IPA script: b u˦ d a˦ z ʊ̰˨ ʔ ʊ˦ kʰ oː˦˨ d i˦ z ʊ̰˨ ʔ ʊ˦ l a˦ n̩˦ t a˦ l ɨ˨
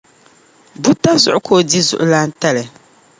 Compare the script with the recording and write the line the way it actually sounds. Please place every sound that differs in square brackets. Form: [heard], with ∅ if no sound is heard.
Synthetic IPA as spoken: b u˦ [t] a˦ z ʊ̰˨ ʔ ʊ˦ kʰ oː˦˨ d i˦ z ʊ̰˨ ʔ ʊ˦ l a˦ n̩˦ t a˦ l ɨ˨